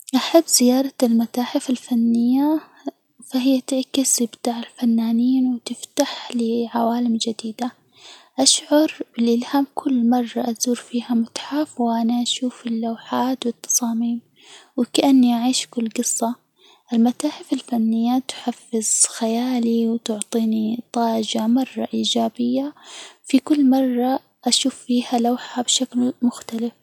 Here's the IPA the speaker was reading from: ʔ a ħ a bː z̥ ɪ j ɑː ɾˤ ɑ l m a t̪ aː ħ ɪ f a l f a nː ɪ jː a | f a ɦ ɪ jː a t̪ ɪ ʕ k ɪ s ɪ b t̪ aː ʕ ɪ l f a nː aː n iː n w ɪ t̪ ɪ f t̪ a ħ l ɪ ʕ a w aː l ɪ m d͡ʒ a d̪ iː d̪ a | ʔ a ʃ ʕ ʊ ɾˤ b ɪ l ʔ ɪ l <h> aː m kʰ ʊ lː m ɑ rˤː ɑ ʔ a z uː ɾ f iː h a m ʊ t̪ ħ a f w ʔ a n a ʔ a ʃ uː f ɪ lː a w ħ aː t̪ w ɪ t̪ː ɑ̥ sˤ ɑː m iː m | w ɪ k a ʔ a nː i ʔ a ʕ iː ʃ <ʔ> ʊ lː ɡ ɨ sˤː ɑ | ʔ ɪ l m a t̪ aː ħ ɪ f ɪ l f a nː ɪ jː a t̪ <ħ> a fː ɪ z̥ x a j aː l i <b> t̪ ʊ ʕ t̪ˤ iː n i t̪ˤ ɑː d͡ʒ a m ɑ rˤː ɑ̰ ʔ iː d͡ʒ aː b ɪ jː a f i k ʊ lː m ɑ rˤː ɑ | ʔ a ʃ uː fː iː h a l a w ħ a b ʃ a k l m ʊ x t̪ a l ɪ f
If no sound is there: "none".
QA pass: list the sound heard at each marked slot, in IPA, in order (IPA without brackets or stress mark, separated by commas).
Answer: h, k, ħ, w